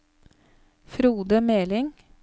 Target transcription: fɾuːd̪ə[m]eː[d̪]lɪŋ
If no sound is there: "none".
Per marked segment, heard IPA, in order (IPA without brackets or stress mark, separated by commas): m, none